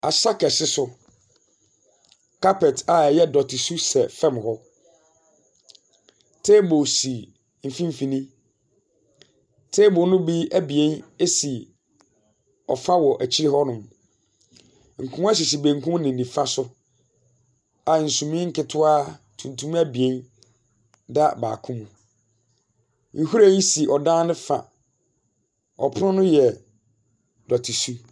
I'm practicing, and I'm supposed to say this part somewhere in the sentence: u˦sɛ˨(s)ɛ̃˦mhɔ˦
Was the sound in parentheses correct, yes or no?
no